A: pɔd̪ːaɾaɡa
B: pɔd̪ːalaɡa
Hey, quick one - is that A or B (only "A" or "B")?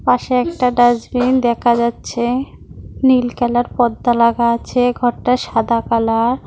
B